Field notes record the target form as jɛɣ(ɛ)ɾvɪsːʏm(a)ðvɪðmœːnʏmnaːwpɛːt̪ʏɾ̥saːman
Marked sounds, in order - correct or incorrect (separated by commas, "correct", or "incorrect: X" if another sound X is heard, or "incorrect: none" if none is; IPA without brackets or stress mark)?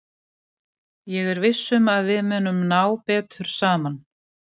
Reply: correct, correct